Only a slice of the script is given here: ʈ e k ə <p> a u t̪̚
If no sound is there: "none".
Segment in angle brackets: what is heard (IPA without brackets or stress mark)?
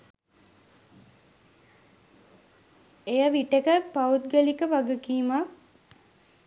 p